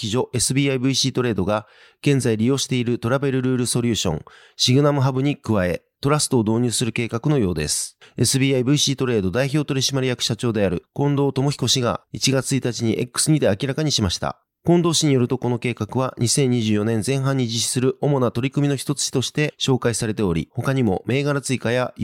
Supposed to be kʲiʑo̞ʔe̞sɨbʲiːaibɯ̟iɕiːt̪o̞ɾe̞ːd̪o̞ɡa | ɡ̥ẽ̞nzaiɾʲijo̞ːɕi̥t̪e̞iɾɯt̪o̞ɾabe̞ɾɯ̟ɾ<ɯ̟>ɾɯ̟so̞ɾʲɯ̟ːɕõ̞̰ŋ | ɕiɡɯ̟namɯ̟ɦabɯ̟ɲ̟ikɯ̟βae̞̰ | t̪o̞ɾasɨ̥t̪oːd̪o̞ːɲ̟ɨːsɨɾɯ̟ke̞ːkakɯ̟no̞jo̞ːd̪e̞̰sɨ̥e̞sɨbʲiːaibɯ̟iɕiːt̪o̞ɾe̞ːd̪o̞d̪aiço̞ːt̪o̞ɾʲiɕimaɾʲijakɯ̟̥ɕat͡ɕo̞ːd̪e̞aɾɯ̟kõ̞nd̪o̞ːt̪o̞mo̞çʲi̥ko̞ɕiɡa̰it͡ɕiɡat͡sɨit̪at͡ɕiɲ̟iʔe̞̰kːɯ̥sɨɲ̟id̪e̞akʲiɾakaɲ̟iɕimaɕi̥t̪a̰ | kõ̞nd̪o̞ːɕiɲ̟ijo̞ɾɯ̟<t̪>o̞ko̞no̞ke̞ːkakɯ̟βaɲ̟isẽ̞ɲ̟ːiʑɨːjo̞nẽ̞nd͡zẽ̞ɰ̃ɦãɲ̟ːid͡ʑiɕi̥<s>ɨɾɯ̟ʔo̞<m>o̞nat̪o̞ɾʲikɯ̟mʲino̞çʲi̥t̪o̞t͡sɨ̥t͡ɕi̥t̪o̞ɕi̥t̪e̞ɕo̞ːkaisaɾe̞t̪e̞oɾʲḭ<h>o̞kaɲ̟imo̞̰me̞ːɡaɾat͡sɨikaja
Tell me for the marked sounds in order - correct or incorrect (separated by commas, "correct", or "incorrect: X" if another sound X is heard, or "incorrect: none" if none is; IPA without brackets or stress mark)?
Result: incorrect: ɯ̟ː, correct, correct, correct, correct